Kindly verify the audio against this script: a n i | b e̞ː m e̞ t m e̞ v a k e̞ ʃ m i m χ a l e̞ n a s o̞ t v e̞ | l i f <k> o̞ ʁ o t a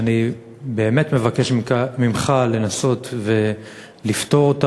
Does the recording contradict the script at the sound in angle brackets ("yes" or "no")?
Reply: yes